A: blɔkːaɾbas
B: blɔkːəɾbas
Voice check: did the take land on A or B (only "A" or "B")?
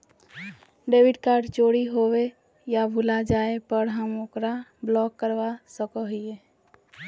B